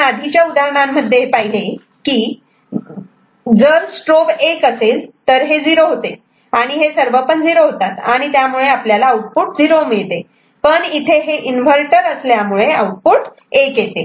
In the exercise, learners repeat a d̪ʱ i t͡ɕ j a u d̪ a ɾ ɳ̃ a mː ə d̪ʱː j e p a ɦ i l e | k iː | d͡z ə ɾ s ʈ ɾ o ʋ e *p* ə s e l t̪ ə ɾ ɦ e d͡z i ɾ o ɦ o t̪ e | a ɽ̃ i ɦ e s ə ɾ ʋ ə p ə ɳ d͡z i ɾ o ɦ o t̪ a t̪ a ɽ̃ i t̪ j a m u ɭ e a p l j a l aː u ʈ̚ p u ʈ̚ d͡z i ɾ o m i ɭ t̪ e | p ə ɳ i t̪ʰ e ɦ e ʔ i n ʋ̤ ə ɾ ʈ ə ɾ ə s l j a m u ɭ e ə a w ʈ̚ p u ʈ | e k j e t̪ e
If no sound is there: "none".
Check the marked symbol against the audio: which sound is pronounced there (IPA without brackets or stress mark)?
k